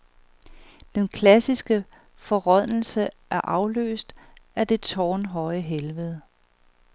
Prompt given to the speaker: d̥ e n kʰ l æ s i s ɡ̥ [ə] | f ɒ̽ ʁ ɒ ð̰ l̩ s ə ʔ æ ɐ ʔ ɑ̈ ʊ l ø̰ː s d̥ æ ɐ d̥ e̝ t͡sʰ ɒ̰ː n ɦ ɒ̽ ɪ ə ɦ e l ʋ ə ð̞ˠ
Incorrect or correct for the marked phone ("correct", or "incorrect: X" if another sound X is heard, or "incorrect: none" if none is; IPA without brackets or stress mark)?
correct